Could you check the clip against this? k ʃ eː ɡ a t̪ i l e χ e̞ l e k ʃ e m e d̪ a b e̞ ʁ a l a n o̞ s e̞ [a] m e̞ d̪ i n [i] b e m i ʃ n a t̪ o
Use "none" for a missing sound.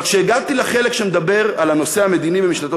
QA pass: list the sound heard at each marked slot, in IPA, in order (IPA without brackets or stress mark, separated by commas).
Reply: a, i